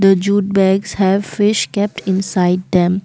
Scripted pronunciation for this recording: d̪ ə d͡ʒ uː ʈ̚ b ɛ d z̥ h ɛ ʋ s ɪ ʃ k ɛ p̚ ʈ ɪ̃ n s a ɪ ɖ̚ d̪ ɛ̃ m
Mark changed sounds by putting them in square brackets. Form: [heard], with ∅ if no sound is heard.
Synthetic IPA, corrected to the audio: d̪ ə d͡ʒ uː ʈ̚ b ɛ [ɡ] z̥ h ɛ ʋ [f] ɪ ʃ k ɛ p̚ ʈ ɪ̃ n s a ɪ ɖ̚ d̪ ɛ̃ m